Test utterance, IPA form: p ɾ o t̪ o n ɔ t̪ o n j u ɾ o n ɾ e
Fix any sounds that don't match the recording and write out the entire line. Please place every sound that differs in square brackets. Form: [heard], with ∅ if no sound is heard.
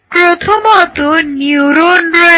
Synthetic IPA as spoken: p ɾ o [t̪ʰ] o [m] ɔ t̪ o n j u ɾ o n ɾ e

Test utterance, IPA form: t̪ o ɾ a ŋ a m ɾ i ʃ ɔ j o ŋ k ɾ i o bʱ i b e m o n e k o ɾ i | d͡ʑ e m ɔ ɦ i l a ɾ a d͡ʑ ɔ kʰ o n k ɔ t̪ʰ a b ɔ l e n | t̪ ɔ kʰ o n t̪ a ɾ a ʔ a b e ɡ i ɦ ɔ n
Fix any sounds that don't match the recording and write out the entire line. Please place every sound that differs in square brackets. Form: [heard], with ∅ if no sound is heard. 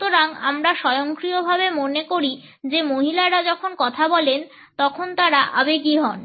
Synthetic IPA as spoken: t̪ o ɾ a ŋ a m ɾ [a] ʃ ɔ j o ŋ k ɾ i o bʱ [a] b e m o n e k o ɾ i | d͡ʑ e m [o] ɦ i l a ɾ a d͡ʑ ɔ kʰ o n k ɔ t̪ʰ a b ɔ l e n | t̪ ɔ kʰ o n t̪ a ɾ a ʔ a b e ɡ i ɦ ɔ n

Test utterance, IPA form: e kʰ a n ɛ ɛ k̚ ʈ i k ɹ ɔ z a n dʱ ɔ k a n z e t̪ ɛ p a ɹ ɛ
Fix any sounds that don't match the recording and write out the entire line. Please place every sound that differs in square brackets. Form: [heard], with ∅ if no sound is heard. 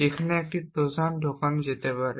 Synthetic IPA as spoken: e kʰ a n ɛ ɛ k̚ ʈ i [p] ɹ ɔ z a n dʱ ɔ k a n z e t̪ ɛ p a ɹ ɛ

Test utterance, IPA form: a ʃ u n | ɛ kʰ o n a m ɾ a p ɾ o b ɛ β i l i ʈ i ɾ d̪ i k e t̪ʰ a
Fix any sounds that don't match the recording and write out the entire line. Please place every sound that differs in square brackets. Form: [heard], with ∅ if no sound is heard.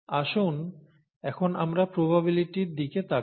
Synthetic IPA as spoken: a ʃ u n | ɛ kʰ o n a m ɾ a p ɾ o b [a] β i l i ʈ i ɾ d̪ i k e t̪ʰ a

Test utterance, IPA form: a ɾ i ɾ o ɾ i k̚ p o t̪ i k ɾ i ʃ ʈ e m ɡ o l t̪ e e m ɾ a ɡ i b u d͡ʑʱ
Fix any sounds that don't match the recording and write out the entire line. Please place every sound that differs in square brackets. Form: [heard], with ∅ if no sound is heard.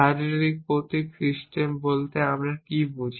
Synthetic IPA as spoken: a ɾ i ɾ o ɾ i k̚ p o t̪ i k ɾ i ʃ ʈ e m [b] o l t̪ e [a] m ɾ a [k] i b u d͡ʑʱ

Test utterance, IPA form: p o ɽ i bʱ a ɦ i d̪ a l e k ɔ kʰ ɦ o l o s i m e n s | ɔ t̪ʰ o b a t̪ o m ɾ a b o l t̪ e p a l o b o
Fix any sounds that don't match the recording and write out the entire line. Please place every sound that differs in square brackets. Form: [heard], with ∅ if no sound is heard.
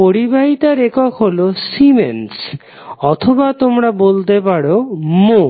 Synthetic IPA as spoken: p o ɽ i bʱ a ɦ i [t̪] a [ɾ] e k ɔ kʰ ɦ o l o s i m e n s | ɔ t̪ʰ o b a t̪ o m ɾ a b o l t̪ e p a [ɽ] o [m] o

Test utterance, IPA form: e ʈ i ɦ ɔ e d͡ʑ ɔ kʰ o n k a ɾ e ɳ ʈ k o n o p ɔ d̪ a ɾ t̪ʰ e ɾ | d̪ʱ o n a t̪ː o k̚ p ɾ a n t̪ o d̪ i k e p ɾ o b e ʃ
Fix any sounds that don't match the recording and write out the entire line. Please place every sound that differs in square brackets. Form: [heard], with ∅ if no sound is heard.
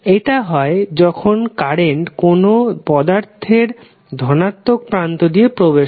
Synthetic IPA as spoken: e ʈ [a] ɦ ɔ e d͡ʑ ɔ kʰ o n k a ɾ e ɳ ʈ k o n o p ɔ d̪ a ɾ t̪ʰ e ɾ | d̪ʱ [ɔ] n a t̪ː o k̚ p ɾ a n t̪ o d̪ i [∅] e p ɾ o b e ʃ

